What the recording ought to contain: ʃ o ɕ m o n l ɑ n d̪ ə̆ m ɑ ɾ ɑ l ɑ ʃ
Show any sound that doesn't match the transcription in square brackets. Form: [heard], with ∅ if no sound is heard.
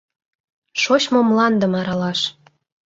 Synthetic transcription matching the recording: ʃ o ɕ m o [m] l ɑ n d̪ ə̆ m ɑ ɾ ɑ l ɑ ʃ